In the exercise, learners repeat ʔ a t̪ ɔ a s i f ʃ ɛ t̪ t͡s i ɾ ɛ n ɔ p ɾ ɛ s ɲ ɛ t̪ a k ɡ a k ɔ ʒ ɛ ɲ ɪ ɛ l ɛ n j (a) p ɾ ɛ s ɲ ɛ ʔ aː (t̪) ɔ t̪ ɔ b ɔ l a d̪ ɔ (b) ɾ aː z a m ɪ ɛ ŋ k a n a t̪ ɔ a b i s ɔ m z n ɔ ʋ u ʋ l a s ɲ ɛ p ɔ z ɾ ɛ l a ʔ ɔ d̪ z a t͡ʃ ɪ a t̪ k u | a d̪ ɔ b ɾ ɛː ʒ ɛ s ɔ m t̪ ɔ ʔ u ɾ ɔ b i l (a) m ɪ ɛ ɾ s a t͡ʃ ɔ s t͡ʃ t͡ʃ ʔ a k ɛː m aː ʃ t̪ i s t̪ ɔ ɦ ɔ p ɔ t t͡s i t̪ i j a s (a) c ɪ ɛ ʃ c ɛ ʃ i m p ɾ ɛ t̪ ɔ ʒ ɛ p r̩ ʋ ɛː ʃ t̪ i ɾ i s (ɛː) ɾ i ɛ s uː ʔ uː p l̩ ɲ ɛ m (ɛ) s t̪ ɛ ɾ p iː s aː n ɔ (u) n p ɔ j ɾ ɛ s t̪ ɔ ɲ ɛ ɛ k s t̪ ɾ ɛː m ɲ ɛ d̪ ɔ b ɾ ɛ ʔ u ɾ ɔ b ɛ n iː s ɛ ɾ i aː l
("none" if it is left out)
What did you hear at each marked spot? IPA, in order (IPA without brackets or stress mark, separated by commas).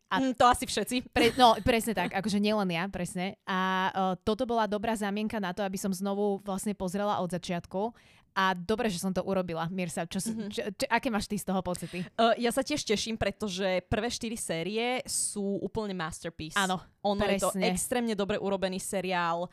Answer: a, t̪, b, a, a, ɛː, a, ɔ